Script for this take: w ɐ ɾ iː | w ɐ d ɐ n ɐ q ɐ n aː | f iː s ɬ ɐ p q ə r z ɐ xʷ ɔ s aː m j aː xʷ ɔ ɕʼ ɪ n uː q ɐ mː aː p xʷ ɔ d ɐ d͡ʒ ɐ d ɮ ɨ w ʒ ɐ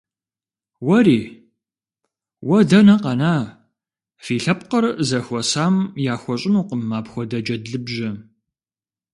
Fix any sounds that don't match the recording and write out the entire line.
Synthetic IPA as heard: w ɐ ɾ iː | w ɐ d ɐ n ɐ q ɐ n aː | f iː ɬ ɐ p q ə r z ɐ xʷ ɔ s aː m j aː xʷ ɔ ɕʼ ɪ n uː q ə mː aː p xʷ ɔ d ɐ d͡ʒ ɐ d ɮ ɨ b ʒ ɐ